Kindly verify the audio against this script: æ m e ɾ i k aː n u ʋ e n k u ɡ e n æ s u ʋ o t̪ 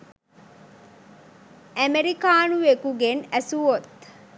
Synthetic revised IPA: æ m e ɾ i k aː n u ʋ e k u ɡ e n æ s u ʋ o t̪